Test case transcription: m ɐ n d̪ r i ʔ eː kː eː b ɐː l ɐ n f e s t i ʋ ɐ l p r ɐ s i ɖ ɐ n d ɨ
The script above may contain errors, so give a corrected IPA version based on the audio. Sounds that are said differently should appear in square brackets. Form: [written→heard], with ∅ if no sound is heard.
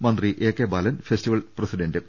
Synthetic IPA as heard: m ɐ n d̪ r i ʔ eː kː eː b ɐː l ɐ n f e s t i ʋ ɐ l p r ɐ s i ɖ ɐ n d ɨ